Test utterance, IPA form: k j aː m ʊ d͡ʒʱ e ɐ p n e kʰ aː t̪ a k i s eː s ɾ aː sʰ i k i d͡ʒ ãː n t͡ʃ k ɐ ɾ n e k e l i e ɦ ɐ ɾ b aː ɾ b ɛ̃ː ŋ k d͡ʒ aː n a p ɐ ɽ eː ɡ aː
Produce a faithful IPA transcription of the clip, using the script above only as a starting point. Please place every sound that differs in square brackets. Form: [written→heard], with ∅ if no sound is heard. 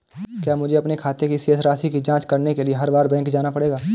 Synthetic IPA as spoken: k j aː m ʊ d͡ʒʱ e ɐ p n e kʰ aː t̪ [a→e] k i s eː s ɾ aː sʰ i k i d͡ʒ ãː [n→∅] t͡ʃ k ɐ ɾ n e k e l i e ɦ ɐ ɾ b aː ɾ b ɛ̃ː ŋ k d͡ʒ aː n a p ɐ ɽ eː ɡ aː